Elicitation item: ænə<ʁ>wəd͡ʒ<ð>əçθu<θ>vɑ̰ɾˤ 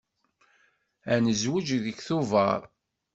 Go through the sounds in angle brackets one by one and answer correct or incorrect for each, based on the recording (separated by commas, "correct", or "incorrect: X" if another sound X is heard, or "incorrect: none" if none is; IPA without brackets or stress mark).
incorrect: z, correct, incorrect: none